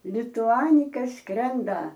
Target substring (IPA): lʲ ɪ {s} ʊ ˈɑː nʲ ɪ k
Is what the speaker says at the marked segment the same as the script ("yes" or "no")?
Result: no